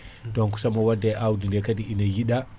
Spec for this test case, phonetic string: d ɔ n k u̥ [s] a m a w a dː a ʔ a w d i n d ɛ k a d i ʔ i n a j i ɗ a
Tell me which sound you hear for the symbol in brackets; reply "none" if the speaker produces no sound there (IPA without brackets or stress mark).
s